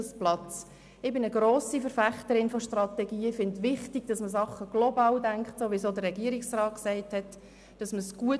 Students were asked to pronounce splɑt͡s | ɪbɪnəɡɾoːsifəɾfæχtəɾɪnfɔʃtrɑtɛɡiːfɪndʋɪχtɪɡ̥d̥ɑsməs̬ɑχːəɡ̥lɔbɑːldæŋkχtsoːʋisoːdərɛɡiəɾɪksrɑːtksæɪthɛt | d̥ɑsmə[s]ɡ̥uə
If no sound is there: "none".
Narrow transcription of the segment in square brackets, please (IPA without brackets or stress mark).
s